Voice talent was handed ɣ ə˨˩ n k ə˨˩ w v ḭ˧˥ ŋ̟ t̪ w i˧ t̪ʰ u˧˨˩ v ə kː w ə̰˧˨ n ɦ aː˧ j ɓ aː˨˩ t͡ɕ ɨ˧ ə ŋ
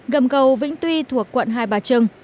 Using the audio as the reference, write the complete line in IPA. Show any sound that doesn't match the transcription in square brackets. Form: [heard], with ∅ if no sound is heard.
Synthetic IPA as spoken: ɣ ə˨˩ [m] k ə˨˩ w v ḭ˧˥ ŋ̟ t̪ w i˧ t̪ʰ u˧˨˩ [∅] ə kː w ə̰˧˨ n ɦ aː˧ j ɓ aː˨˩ t͡ɕ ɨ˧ ə ŋ